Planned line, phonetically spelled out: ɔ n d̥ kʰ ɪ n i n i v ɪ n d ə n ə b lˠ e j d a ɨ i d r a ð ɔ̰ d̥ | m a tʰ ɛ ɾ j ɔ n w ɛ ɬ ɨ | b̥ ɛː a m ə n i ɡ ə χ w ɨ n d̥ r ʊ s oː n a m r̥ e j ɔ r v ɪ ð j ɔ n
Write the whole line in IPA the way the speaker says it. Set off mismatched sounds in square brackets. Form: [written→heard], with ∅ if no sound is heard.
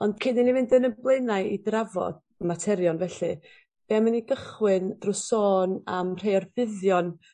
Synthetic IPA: ɔ n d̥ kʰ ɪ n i n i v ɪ n d ə n ə b lˠ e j [d→n] a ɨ i d r a [ð→v] ɔ̰ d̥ | m a tʰ ɛ ɾ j ɔ n [w→v] ɛ ɬ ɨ | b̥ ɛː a m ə n i ɡ ə χ w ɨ n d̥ r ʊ s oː n a m r̥ e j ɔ r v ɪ ð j ɔ n